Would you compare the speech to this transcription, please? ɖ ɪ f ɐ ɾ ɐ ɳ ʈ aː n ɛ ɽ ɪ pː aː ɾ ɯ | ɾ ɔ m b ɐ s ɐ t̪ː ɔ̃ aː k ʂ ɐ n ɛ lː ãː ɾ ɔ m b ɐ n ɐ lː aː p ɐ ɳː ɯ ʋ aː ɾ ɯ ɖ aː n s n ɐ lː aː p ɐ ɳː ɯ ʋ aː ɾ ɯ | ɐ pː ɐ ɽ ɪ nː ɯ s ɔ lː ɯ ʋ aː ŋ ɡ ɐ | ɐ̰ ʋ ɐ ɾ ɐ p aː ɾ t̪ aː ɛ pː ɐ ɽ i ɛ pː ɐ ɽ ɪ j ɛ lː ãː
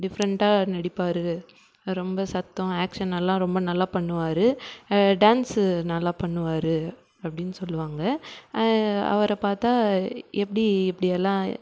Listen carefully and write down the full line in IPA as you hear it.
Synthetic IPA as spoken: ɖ ɪ f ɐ ɾ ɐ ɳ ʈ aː n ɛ ɽ ɪ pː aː ɾ ɯ | ɾ ɔ m b ɐ s ɐ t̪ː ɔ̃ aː k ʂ ɐ n ɛ lː ãː ɾ ɔ m b ɐ n ɐ lː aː p ɐ ɳː ɯ ʋ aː ɾ ɯ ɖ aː n s n ɐ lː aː p ɐ ɳː ɯ ʋ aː ɾ ɯ | ɐ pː ɐ ɽ ɪ nː ɯ s ɔ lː ɯ ʋ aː ŋ ɡ ɐ | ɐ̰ ʋ ɐ ɾ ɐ p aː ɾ t̪ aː ɛ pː ɐ ɽ i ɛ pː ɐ ɽ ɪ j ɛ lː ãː

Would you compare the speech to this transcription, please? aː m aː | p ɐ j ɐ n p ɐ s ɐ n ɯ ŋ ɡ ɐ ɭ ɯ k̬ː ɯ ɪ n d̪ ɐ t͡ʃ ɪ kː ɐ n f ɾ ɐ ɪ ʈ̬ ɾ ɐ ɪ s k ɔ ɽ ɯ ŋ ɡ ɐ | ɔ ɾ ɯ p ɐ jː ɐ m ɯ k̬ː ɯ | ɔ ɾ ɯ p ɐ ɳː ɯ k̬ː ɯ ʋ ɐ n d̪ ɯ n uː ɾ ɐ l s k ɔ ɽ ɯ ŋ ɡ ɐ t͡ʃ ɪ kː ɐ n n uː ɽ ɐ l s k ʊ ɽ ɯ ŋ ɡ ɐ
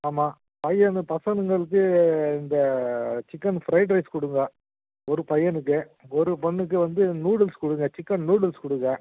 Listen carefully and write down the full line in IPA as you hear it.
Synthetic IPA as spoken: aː m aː | p ɐ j ɐ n p ɐ s ɐ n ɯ ŋ ɡ ɐ ɭ ɯ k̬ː ɯ ɪ n d̪ ɐ t͡ʃ ɪ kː ɐ n f ɾ ɐ ɪ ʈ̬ ɾ ɐ ɪ s k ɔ ɽ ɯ ŋ ɡ ɐ | ɔ ɾ ɯ p ɐ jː ɐ n ɯ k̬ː ɯ | ɔ ɾ ɯ p ɐ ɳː ɯ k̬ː ɯ ʋ ɐ n d̪ ɯ n uː ɽ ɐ l s k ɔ ɽ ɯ ŋ ɡ ɐ t͡ʃ ɪ kː ɐ n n uː ɽ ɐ l s k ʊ ɽ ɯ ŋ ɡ ɐ

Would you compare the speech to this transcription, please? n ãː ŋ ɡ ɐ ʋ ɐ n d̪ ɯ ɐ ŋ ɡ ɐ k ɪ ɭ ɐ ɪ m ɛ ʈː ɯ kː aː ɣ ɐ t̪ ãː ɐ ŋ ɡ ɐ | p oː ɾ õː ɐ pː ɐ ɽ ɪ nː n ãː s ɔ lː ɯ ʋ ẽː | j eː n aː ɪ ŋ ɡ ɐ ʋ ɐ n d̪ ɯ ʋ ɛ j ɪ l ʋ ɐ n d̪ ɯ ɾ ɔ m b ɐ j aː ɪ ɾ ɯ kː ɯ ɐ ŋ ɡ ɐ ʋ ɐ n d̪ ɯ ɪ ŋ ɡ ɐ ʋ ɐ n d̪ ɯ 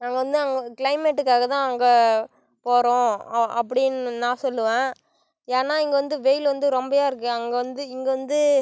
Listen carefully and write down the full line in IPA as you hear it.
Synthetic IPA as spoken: n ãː ŋ ɡ ɐ ʋ ɐ n d̪ ɯ ɐ ŋ ɡ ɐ k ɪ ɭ ɐ ɪ m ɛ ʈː ɯ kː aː ɣ ɐ t̪ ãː ɐ ŋ ɡ ɐ | p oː ɾ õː ɐ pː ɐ ɽ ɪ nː n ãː s ɔ lː ɯ ʋ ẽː | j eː n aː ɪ ŋ ɡ ɐ ʋ ɐ n d̪ ɯ ʋ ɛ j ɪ l ʋ ɐ n d̪ ɯ ɾ ɔ m b ɐ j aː ɪ ɾ ɯ kː ɯ ɐ ŋ ɡ ɐ ʋ ɐ n d̪ ɯ ɪ ŋ ɡ ɐ ʋ ɐ n d̪ ɯ

